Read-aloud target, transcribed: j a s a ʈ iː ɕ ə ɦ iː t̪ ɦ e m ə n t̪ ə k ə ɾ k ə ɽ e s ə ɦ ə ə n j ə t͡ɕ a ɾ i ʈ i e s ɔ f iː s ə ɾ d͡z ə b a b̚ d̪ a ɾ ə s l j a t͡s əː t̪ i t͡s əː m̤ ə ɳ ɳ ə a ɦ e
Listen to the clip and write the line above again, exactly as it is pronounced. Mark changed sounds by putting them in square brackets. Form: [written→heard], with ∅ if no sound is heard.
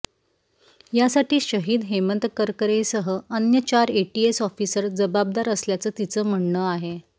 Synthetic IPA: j a s a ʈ iː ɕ ə ɦ iː [t̪→d̪] ɦ e m ə n t̪ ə k ə ɾ k ə [ɽ→ɾ] e s ə ɦ ə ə n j ə t͡ɕ a ɾ [i→e] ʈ i e s ɔ f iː s ə ɾ d͡z ə b a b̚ d̪ a ɾ ə s l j a t͡s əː t̪ i t͡s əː m̤ ə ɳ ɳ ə a ɦ e